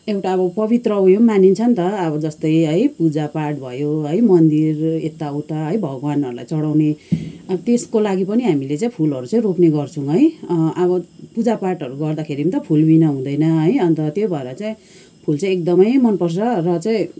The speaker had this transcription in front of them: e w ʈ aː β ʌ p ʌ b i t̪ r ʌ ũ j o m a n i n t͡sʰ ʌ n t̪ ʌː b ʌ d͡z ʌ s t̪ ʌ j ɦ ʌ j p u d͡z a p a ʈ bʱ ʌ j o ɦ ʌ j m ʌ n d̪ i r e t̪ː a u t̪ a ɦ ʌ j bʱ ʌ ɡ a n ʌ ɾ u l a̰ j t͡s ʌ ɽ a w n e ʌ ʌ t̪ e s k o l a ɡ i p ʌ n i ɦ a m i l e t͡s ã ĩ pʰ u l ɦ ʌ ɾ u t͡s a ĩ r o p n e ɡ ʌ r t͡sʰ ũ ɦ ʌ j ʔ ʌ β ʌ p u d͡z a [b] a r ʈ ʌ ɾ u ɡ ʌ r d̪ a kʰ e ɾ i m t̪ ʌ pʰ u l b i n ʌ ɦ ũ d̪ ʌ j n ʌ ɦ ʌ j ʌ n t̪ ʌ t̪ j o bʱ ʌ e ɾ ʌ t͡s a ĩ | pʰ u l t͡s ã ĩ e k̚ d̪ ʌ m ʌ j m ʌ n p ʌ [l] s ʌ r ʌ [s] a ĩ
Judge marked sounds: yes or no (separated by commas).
no, no, no